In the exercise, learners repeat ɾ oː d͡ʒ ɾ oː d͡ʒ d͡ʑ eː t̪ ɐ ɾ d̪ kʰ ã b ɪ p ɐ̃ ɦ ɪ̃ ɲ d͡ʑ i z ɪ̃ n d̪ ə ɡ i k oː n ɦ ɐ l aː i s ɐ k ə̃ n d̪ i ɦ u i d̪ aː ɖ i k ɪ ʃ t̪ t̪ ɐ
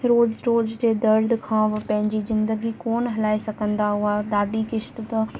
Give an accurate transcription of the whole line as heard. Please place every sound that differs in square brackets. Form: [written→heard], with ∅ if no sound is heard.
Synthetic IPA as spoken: ɾ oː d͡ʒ ɾ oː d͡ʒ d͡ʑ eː [t̪→d̪] ɐ ɾ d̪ kʰ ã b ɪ p ɐ̃ ɦ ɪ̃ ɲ d͡ʑ i z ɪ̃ n d̪ ə ɡ i k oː n ɦ ɐ l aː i s ɐ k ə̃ n d̪ [i→a] ɦ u [i→a] d̪ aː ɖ i k ɪ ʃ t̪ t̪ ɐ